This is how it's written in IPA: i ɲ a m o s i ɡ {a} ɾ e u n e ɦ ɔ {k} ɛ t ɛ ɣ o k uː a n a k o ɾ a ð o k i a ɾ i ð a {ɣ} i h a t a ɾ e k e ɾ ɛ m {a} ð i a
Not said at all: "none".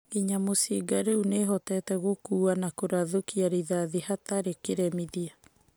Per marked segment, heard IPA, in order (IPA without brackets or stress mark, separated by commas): a, t, ð, i